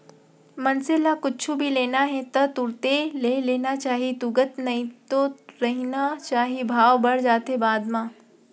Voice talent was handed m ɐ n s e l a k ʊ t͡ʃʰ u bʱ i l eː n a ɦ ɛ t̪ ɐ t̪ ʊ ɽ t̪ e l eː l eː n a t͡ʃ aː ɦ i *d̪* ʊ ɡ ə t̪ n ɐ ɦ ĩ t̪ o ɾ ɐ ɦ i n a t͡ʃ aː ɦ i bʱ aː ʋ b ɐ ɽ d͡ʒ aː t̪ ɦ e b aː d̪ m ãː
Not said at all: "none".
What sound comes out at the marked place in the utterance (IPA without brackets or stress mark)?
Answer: t̪